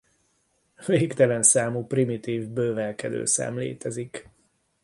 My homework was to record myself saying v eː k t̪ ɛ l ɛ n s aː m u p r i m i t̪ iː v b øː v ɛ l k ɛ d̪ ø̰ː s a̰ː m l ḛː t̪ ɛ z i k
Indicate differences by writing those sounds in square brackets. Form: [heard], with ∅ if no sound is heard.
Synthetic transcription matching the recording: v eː k t̪ ɛ l ɛ n s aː m u p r i m i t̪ iː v b øː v ɛ l k ɛ d̪ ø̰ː s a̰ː m l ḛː t̪ ɛ z i k